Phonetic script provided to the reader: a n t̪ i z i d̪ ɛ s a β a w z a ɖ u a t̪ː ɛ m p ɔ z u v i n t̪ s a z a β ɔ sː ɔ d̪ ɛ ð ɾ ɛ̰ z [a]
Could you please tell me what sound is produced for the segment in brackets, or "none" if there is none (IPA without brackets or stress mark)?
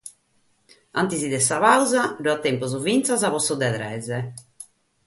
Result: ɛ